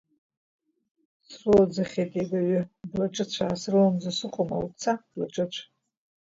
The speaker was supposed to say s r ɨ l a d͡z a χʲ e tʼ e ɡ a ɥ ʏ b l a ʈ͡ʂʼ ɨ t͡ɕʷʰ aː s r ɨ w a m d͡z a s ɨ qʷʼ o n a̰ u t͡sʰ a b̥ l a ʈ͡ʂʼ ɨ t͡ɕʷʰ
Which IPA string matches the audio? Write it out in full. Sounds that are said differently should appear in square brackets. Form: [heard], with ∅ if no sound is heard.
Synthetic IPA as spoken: s r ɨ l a d͡z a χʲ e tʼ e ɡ a ɥ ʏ b l a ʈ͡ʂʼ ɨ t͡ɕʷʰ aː s r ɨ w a m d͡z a s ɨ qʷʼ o [m] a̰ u t͡sʰ a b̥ l a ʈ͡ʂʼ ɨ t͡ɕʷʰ